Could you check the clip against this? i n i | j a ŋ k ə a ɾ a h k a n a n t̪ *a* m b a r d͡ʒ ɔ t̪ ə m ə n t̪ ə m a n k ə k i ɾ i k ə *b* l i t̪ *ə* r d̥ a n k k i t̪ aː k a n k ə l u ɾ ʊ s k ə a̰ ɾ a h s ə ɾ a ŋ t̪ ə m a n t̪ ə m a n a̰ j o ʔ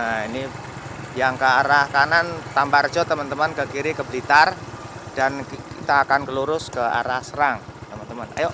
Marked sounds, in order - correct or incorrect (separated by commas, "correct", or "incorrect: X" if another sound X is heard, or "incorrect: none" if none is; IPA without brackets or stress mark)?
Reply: correct, correct, incorrect: a